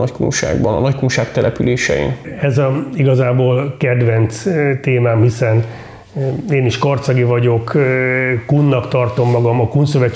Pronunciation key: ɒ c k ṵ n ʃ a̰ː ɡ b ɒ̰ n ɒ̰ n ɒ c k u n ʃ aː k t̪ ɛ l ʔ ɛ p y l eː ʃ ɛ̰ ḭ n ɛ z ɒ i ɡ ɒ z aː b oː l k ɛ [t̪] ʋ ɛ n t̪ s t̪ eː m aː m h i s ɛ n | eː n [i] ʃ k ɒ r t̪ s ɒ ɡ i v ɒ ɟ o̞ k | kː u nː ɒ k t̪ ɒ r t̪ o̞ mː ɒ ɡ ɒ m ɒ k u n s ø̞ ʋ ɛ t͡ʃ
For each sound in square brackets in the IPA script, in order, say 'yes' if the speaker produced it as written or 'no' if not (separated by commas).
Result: no, yes